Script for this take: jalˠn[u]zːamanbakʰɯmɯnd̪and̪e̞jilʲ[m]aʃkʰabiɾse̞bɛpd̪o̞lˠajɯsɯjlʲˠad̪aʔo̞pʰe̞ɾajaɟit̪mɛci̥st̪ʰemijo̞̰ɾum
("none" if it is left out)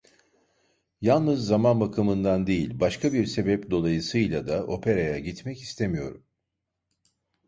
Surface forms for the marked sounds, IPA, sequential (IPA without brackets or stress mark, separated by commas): ɯ, b